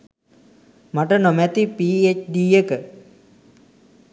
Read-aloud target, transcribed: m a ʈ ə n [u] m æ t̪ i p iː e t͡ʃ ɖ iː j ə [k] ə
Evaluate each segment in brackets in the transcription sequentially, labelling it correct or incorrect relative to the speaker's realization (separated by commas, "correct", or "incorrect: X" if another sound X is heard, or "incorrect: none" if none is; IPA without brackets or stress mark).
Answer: incorrect: o, correct